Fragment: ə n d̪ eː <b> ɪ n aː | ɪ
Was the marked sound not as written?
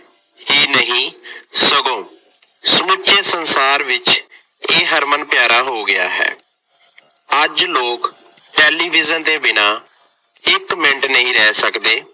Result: no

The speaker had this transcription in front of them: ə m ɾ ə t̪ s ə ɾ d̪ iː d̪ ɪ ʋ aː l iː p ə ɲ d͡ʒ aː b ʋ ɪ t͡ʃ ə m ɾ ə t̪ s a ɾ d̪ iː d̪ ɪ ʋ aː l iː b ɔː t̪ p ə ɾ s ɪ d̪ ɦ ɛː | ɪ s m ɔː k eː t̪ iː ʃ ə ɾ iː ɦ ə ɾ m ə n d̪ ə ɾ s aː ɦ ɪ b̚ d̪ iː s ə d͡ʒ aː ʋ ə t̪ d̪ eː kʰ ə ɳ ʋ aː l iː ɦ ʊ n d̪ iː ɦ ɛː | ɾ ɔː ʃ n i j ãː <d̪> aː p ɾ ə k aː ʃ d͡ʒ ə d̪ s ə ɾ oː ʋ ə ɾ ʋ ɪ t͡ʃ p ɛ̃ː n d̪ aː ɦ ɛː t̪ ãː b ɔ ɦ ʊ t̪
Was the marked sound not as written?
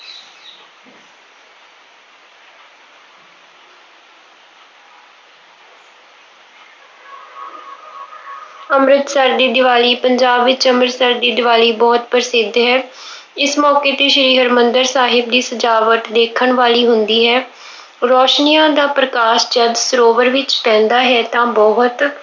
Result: no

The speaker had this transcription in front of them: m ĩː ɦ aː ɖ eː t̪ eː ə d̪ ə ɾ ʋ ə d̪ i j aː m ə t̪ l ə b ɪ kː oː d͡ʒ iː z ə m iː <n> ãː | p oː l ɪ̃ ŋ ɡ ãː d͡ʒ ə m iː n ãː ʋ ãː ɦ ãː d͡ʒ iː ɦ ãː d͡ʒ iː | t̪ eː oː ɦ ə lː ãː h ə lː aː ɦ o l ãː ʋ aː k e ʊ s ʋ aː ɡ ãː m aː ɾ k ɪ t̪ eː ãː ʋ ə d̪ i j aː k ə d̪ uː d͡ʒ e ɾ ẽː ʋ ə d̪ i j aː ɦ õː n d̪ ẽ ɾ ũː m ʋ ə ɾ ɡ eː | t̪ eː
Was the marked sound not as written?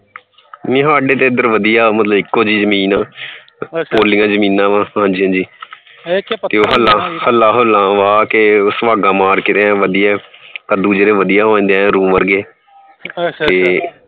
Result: no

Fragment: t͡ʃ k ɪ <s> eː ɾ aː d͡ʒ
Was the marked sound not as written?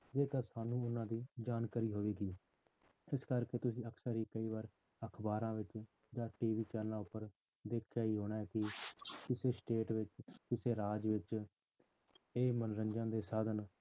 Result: no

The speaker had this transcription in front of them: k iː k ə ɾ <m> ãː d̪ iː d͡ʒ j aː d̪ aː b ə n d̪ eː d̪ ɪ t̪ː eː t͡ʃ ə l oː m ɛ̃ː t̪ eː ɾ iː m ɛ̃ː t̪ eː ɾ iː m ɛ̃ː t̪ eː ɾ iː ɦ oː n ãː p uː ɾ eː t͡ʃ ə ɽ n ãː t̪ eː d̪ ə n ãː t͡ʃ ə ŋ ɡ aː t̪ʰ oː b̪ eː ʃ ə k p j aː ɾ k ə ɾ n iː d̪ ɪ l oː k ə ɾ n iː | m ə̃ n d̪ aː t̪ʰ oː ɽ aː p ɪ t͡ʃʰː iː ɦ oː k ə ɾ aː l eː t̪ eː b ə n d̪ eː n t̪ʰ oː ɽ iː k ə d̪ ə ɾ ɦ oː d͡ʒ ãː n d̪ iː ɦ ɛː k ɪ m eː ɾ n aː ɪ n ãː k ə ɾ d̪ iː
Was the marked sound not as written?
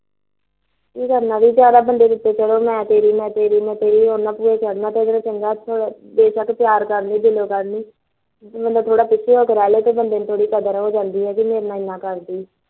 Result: yes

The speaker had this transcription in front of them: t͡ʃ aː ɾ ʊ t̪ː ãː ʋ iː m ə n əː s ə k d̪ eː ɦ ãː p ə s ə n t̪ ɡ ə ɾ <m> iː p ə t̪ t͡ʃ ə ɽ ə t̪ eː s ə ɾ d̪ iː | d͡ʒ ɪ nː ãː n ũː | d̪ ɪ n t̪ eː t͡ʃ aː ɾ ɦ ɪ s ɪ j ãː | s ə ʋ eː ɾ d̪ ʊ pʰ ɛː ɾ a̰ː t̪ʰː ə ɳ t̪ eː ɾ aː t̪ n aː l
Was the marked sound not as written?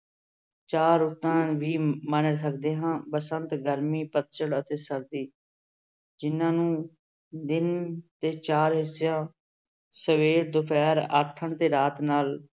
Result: no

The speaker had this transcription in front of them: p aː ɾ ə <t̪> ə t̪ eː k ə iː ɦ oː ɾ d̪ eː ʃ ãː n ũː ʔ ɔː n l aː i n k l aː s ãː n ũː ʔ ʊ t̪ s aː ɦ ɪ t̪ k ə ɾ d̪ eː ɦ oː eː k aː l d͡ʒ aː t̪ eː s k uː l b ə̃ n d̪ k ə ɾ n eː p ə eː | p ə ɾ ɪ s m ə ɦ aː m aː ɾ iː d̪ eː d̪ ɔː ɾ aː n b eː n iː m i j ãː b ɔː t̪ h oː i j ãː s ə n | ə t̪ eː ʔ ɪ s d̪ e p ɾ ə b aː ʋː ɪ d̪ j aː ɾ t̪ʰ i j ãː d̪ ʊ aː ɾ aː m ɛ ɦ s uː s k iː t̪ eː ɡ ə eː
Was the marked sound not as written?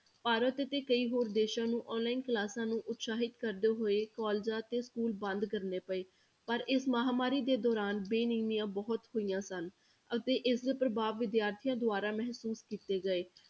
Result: no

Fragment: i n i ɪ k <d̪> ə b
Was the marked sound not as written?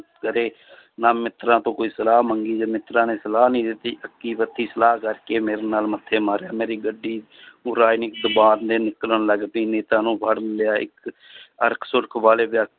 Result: no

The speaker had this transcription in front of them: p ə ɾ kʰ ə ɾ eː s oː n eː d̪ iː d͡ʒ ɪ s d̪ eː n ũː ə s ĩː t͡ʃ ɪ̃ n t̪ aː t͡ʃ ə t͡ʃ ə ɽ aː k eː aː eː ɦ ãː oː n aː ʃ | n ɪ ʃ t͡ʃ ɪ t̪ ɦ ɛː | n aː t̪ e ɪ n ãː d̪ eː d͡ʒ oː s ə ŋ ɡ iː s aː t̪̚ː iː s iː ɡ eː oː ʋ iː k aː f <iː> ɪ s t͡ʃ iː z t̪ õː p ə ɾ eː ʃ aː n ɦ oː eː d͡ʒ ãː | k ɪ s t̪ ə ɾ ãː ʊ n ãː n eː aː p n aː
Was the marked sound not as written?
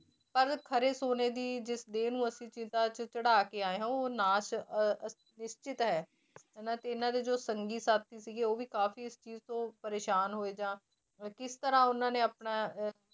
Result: no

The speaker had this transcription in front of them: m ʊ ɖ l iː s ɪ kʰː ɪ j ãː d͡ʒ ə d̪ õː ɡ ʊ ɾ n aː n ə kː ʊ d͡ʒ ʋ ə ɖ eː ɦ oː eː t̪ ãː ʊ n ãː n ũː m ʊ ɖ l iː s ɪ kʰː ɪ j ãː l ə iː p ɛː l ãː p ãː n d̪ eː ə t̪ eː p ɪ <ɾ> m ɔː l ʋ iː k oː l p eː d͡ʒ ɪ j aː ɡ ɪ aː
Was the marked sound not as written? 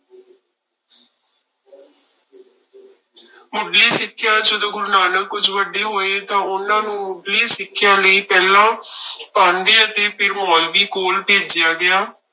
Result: no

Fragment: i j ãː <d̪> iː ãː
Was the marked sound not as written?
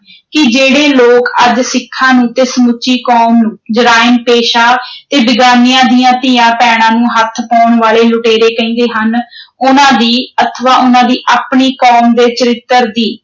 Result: yes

